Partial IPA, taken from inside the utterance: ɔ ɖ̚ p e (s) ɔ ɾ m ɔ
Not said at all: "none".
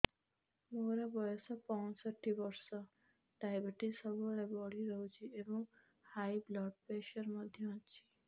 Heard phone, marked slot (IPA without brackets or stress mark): ʃ